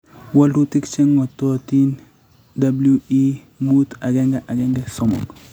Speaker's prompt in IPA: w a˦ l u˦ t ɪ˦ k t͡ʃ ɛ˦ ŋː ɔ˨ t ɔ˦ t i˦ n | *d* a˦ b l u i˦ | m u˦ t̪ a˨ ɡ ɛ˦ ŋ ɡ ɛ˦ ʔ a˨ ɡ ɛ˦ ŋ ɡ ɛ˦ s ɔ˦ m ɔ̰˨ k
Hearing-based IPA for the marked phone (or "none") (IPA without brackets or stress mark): d